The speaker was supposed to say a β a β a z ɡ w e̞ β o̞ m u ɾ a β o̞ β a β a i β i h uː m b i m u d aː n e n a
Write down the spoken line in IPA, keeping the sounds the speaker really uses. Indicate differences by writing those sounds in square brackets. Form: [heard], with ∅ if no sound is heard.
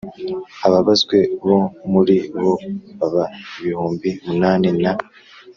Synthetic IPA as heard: a β a β a z ɡ w e̞ β o̞ m u ɾ [i] β o̞ β a β a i β i h uː m b i m u [n] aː n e n a